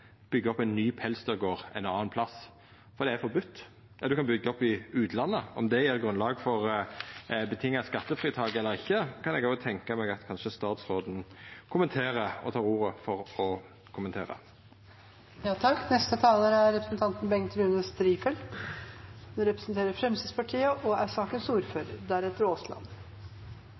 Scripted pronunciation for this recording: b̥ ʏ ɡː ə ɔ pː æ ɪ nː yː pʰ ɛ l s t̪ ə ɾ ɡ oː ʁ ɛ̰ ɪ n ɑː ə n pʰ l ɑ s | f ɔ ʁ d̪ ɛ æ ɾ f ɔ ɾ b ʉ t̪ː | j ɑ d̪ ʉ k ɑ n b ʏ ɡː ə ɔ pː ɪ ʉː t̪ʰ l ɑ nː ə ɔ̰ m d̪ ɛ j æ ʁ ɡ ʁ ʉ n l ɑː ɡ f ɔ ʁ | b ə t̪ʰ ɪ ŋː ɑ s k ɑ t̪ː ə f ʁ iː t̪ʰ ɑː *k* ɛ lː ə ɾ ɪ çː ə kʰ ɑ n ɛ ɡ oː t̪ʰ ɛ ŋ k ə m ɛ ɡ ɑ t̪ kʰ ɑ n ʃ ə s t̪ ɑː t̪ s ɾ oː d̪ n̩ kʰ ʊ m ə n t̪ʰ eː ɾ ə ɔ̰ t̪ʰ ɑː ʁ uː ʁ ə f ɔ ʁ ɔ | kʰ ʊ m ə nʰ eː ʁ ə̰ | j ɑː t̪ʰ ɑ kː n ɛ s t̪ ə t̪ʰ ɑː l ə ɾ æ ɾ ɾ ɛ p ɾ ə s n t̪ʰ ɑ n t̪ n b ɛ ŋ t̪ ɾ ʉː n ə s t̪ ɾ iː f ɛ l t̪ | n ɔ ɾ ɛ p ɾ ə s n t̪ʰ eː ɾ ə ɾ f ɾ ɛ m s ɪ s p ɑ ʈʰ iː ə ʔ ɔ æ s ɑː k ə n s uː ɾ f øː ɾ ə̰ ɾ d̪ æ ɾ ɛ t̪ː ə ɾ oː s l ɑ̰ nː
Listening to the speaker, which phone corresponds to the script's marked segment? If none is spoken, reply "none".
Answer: ɡ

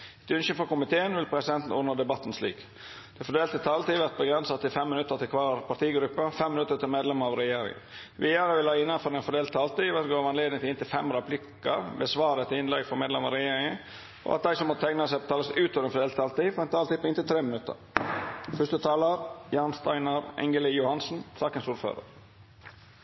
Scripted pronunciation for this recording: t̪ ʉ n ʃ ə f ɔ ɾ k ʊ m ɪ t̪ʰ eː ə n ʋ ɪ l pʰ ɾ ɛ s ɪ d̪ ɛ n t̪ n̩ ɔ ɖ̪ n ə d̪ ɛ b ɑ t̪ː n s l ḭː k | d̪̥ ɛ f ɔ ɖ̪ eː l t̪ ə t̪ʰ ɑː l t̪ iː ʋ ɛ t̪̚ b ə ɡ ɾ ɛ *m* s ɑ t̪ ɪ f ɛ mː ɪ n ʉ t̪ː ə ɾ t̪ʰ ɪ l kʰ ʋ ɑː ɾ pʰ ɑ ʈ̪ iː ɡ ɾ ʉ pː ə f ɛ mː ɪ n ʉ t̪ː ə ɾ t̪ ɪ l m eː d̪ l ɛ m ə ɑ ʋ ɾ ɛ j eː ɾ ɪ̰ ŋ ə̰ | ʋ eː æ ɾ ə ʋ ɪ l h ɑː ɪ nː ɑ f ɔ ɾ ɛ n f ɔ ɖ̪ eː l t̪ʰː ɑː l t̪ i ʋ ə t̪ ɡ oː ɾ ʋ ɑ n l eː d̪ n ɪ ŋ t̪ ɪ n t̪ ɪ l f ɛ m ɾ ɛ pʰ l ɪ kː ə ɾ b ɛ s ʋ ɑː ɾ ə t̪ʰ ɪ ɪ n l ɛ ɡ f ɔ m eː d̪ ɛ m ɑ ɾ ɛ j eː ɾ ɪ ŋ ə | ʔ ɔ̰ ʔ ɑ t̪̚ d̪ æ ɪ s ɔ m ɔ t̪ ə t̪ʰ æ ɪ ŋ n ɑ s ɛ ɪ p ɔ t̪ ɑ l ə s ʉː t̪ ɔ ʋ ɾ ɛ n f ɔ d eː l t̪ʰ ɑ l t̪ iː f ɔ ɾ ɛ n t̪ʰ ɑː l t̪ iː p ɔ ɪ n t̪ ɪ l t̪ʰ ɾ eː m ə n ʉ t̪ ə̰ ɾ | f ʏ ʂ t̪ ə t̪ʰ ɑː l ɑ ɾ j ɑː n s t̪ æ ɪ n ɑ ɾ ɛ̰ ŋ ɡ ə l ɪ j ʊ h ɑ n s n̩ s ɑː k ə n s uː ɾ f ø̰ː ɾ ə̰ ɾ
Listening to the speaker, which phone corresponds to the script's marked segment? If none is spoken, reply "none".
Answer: n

